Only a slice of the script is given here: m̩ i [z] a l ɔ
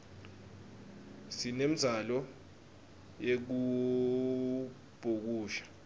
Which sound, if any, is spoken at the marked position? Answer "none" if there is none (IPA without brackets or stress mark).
z